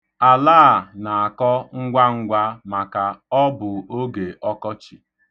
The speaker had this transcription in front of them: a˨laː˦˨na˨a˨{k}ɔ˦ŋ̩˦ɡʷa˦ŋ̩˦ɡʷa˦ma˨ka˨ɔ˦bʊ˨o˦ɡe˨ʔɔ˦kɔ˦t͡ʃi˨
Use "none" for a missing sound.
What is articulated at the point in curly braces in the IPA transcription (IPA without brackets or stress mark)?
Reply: k